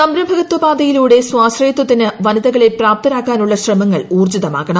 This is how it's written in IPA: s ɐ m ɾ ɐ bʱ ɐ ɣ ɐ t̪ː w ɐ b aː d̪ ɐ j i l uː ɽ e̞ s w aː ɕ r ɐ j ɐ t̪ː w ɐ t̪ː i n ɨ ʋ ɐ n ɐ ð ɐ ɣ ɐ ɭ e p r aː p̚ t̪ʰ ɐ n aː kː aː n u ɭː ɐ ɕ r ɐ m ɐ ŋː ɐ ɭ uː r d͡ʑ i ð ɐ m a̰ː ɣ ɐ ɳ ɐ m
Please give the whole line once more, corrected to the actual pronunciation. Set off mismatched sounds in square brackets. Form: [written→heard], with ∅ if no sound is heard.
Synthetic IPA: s ɐ m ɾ ɐ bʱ ɐ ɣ ɐ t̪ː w ɐ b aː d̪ ɐ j i l uː ɽ e̞ s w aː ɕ r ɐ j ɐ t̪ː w ɐ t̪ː i n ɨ ʋ ɐ n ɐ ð ɐ ɣ ɐ ɭ e p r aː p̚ [t̪ʰ→t̪] ɐ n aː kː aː n u ɭː ɐ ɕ r ɐ m ɐ ŋː ɐ ɭ uː r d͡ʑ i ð ɐ m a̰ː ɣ ɐ ɳ ɐ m

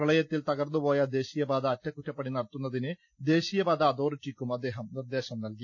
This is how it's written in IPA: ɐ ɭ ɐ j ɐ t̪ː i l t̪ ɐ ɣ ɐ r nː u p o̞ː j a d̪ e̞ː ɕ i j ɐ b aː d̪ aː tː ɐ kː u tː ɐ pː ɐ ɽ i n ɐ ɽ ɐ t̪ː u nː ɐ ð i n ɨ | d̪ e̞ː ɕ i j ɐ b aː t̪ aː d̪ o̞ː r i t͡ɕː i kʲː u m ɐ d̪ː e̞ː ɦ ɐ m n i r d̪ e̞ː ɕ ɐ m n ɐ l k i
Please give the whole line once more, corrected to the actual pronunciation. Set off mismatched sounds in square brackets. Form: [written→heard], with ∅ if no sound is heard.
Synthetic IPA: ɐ ɭ ɐ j ɐ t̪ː i l t̪ ɐ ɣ ɐ r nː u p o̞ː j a d̪ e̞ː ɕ i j ɐ b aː d̪ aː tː ɐ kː u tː ɐ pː ɐ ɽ i n ɐ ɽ ɐ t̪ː u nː ɐ ð i n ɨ | d̪ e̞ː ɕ i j ɐ b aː [t̪→d̪] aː d̪ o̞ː r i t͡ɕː i kʲː u m ɐ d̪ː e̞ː ɦ ɐ m n i r d̪ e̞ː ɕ ɐ m n ɐ l k i

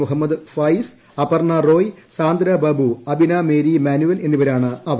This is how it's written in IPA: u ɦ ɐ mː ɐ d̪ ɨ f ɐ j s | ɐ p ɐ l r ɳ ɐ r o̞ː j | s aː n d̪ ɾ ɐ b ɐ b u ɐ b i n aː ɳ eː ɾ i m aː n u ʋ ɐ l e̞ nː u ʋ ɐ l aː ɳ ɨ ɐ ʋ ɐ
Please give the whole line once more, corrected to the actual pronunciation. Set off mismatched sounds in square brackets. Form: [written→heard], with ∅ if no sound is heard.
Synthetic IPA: u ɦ ɐ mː ɐ d̪ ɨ f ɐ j s | ɐ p ɐ [l→∅] r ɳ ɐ r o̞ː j | s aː n d̪ ɾ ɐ b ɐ b u ɐ b i n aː [ɳ→m] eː ɾ i m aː n u ʋ ɐ l e̞ nː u ʋ ɐ [l→ɾ] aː ɳ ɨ ɐ ʋ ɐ

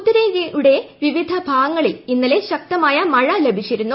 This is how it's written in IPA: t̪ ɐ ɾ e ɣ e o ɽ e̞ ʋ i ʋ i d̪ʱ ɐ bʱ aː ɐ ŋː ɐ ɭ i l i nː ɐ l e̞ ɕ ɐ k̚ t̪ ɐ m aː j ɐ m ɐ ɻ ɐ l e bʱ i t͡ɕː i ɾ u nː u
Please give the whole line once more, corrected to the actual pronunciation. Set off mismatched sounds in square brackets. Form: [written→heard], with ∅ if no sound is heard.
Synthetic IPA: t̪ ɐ ɾ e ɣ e [o→u] ɽ e̞ ʋ i ʋ i d̪ʱ ɐ bʱ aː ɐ ŋː ɐ ɭ i l i nː ɐ l e̞ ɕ ɐ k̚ t̪ ɐ m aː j ɐ m ɐ ɻ ɐ l e bʱ i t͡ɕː i ɾ u nː u

